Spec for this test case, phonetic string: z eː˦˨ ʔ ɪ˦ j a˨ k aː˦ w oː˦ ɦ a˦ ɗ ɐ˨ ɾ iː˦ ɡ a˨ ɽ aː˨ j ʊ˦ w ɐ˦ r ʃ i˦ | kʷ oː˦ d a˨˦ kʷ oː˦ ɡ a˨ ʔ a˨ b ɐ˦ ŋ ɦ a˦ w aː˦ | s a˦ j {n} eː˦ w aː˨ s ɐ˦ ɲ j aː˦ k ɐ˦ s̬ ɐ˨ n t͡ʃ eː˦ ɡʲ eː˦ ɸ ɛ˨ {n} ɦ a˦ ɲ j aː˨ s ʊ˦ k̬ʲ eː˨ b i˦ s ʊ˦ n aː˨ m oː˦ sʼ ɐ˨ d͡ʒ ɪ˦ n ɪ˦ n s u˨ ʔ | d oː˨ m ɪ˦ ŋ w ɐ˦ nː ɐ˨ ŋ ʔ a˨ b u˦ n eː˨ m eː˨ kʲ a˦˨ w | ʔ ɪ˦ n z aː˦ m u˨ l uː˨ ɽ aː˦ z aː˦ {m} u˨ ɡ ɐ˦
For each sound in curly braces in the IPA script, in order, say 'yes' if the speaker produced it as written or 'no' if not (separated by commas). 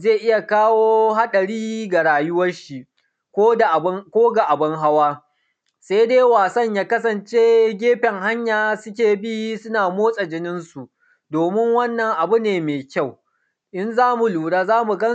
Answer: no, no, yes